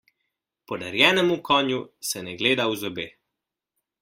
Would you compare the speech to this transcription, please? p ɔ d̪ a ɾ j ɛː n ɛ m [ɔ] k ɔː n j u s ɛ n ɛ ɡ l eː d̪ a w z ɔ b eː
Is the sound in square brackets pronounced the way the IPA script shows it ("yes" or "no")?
no